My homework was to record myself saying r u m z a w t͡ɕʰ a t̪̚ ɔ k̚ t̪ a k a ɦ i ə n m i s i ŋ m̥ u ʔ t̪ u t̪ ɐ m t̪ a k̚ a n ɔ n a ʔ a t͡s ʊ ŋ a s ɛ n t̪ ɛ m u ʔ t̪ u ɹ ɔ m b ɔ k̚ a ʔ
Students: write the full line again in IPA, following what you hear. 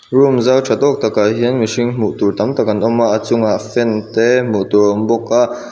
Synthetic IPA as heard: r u m z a w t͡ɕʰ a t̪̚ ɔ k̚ t̪ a k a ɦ i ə n m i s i ŋ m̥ u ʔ t̪ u t̪ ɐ m t̪ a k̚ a n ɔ m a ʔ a t͡s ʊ ŋ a f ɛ n t̪ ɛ m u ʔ t̪ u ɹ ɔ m b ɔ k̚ a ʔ